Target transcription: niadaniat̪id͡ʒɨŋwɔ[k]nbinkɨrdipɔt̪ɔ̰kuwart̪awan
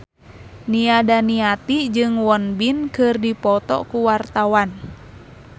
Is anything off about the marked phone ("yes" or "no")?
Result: yes